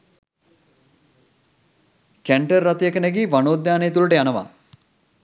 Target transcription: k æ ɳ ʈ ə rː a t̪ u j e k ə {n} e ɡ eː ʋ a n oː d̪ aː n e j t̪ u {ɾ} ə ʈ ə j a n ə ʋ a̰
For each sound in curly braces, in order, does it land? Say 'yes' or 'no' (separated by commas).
yes, no